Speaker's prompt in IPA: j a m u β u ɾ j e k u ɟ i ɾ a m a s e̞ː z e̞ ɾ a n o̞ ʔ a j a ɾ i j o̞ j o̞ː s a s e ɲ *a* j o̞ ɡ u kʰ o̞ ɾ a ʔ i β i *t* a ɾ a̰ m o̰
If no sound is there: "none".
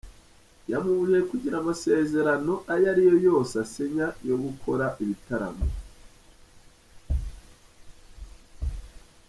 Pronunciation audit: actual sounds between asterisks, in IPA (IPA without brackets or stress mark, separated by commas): a, t